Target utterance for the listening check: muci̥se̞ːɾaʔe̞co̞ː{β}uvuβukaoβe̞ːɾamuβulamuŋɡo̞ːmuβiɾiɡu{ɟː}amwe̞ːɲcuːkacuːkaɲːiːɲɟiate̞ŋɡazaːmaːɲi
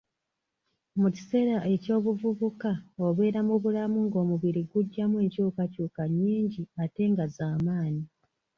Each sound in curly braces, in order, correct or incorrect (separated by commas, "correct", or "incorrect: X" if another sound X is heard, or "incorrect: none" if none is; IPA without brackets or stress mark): correct, correct